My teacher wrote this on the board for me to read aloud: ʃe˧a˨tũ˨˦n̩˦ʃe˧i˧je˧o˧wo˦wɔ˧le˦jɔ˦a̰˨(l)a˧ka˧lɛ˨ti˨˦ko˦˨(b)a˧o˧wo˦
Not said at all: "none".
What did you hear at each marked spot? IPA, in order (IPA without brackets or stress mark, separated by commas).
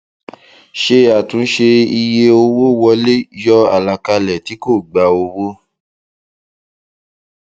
l, ɡ͡b